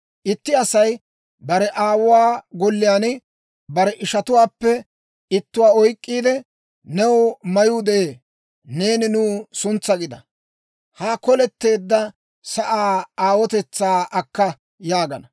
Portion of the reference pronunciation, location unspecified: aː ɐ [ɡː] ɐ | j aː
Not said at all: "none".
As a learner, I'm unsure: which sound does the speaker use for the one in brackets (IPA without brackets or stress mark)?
kː